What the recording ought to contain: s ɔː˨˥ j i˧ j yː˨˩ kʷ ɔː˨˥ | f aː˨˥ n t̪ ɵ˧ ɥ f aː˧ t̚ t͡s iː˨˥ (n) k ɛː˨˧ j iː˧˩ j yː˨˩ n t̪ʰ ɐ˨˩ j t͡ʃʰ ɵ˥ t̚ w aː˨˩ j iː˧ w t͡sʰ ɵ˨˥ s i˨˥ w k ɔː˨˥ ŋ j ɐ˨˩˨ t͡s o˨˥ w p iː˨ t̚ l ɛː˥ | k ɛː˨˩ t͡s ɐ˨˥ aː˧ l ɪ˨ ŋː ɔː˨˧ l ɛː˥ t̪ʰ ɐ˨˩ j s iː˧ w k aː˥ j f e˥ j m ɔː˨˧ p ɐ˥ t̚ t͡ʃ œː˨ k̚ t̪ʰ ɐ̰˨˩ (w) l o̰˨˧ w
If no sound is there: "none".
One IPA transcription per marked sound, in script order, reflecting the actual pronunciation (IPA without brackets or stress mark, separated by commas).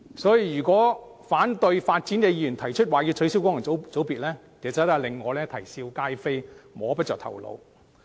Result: n, w